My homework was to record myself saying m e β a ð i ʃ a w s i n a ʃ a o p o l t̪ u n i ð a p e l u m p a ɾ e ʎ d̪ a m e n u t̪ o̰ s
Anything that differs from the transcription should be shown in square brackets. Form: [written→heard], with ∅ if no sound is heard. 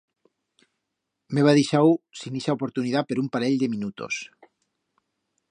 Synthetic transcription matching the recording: m e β a ð i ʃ a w s i n [a→i] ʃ a o p o [l→ɾ] t̪ u n i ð a p e [l→ɾ] u m p a ɾ e ʎ d̪ [a→e] m [e→i] n u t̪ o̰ s